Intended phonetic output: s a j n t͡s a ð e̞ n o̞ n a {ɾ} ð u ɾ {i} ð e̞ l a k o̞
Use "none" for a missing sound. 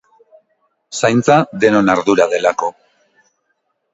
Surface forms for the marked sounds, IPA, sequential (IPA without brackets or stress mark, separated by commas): ɾ, a